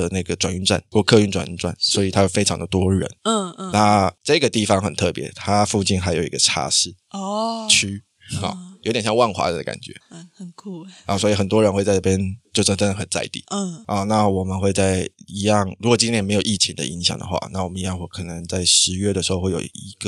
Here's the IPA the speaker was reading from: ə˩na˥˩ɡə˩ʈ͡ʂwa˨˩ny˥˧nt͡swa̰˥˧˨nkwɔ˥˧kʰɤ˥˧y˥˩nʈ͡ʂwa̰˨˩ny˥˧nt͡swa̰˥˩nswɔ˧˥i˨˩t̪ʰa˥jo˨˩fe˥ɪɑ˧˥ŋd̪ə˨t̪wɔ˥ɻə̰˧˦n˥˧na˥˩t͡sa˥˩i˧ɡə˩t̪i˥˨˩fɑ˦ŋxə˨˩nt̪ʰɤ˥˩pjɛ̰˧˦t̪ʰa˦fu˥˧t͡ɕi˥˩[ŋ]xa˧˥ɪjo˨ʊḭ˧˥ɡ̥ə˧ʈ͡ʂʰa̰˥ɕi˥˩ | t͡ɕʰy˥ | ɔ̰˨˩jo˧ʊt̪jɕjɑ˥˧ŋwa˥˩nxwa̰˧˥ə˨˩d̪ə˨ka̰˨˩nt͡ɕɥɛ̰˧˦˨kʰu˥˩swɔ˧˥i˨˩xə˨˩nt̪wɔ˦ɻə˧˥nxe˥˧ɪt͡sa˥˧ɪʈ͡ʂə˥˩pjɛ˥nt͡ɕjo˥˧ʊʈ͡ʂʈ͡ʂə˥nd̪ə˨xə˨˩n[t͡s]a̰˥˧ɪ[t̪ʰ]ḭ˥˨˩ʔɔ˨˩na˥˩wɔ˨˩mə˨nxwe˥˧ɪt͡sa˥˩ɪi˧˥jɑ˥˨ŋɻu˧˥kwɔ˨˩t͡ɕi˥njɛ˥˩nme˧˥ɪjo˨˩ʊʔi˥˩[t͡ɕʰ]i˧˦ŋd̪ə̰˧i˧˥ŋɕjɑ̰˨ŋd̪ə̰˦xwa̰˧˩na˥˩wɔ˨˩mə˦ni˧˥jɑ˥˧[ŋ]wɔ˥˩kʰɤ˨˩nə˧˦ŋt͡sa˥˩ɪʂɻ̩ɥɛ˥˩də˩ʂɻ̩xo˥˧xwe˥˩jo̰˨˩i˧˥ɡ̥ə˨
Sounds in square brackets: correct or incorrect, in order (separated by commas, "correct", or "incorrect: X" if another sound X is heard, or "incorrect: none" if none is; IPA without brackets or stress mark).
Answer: incorrect: n, correct, incorrect: t̪, correct, correct